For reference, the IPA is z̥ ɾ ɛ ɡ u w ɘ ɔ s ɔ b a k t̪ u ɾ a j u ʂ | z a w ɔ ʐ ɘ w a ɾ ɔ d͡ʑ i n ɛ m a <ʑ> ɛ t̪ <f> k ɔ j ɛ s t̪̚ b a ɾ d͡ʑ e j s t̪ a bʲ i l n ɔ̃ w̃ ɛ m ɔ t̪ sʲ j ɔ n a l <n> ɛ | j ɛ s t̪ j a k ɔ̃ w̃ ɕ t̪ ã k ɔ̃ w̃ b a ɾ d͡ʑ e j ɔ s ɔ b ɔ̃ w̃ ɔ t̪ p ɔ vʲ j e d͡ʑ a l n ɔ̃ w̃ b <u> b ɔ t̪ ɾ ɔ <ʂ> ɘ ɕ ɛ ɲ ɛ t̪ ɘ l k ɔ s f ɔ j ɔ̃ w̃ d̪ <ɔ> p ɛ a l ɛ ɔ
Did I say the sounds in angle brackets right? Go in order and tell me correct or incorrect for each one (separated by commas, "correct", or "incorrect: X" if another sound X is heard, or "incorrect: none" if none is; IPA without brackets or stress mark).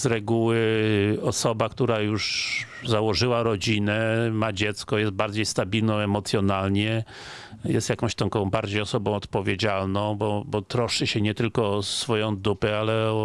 incorrect: d͡ʑ, incorrect: s, incorrect: ɲ, incorrect: ɔ, correct, incorrect: u